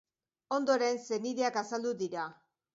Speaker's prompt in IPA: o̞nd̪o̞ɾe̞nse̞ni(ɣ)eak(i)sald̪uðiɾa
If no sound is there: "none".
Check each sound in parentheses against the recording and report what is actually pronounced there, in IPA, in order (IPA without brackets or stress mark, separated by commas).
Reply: ð, a